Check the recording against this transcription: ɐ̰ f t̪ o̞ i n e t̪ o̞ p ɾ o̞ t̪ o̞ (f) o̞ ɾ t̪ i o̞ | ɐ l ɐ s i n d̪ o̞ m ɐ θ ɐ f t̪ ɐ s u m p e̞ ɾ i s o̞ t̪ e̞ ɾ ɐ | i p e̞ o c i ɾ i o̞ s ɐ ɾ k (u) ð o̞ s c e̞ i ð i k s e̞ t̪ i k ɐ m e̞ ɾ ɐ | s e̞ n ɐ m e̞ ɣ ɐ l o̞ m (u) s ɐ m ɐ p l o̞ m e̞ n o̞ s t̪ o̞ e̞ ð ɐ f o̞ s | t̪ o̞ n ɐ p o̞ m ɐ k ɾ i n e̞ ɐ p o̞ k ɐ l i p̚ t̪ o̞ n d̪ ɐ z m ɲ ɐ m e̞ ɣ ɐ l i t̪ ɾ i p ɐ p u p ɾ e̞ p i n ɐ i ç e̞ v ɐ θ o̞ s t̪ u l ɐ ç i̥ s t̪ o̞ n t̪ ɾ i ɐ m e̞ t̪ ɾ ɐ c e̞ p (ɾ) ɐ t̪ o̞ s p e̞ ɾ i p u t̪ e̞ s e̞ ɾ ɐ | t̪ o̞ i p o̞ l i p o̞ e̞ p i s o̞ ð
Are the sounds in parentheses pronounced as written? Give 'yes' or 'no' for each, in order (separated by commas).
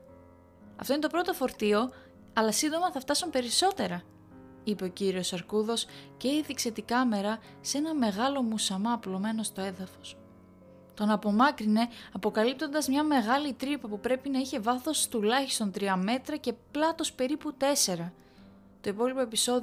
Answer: yes, yes, yes, no